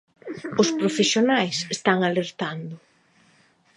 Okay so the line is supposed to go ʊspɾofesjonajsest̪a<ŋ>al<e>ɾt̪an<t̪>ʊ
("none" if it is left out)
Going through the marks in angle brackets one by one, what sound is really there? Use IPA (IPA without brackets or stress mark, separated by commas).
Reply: ŋ, e, d̪